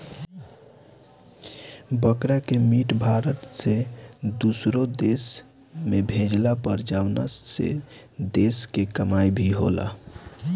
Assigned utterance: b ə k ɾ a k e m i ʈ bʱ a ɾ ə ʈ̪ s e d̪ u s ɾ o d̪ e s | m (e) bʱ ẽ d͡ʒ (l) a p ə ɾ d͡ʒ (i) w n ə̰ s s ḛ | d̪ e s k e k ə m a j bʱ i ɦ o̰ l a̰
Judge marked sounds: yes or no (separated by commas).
yes, yes, no